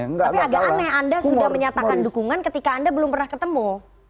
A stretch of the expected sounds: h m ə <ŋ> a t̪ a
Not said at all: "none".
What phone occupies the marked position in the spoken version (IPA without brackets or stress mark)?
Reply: ɲ